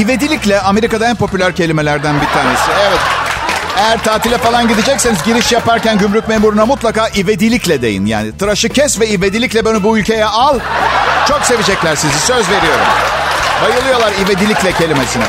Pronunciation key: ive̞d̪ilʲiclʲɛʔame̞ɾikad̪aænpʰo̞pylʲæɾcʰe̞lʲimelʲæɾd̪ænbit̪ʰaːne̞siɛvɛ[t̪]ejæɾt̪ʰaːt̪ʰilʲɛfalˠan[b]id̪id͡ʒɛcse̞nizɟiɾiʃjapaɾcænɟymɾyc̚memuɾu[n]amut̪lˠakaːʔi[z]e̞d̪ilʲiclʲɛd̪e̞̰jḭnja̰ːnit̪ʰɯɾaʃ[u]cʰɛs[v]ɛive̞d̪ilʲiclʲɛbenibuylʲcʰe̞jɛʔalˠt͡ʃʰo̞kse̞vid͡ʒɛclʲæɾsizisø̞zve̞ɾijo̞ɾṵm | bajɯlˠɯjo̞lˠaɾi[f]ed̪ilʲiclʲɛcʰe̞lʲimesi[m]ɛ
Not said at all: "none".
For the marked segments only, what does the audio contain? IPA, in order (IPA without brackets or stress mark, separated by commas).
t̪, ɟ, n, v, ɯ, v, v, n